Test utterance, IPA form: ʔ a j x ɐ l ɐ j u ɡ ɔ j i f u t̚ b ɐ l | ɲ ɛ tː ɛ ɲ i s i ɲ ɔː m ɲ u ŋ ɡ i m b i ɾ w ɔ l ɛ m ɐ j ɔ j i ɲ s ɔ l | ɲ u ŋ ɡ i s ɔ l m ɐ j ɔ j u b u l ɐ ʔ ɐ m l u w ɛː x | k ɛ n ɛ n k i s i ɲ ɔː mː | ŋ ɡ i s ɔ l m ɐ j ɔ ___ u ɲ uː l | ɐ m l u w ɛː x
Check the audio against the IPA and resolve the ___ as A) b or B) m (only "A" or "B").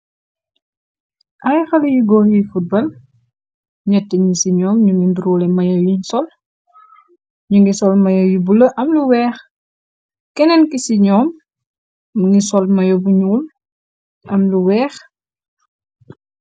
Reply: A